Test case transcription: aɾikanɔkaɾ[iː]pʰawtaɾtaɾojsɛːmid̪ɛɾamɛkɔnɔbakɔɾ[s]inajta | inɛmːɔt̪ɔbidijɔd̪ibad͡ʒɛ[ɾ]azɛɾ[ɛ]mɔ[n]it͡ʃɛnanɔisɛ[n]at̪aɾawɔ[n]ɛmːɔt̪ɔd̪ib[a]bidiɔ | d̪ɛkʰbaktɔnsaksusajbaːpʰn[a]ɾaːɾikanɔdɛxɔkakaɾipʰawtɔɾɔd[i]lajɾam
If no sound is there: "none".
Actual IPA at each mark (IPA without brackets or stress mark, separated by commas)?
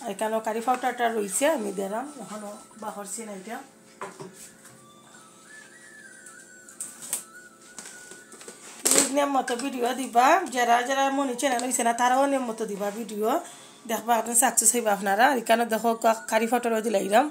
i, s, ɾ, a, n, n, n, a, a, i